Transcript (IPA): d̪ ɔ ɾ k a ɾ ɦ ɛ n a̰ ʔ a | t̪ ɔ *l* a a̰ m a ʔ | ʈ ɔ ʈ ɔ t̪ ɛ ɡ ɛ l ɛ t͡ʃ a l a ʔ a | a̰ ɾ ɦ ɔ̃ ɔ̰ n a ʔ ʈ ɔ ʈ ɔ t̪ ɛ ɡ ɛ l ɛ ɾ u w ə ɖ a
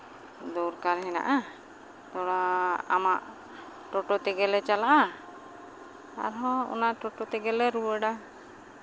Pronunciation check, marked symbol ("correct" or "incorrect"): incorrect